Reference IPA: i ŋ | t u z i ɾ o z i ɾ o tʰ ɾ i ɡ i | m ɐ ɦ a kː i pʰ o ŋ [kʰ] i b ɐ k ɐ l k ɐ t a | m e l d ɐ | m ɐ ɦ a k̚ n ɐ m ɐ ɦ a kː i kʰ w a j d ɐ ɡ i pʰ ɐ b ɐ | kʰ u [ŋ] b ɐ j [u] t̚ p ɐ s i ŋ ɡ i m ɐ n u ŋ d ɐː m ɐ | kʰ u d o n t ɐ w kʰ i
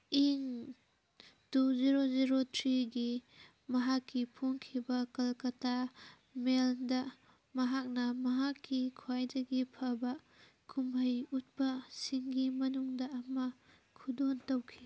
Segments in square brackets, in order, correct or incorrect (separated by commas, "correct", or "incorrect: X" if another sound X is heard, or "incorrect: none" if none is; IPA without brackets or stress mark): correct, incorrect: m, correct